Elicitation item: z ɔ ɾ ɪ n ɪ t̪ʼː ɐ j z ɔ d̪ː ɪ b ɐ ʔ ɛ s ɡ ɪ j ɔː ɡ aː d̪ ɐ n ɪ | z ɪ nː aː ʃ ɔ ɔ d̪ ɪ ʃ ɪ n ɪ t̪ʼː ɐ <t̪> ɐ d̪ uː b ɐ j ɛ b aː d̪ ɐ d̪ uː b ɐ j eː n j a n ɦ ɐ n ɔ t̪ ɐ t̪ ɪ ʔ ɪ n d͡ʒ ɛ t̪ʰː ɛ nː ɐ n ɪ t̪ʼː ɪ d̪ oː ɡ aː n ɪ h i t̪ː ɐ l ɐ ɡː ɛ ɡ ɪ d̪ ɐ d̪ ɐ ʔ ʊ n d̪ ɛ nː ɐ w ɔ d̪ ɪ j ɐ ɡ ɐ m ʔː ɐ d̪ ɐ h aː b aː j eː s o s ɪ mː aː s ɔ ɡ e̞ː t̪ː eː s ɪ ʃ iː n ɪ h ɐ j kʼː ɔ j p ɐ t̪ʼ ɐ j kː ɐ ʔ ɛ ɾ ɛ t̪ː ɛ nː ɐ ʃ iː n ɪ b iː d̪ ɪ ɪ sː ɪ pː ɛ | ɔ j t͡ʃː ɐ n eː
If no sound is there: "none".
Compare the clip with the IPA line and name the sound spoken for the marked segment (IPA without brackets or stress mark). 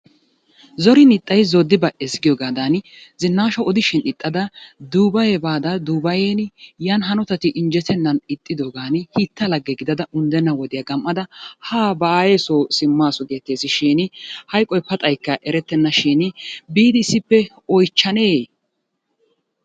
d̪